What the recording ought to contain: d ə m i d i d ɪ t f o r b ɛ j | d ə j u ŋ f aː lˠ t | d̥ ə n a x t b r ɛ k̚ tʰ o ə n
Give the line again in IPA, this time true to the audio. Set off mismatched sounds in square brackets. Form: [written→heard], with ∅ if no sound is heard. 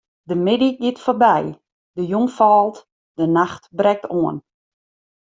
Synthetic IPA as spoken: d ə m [i→ɪ] d i [d→ɡ] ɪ t f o r b ɛ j | d ə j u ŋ f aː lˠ t | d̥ ə n a x t b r ɛ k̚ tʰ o ə n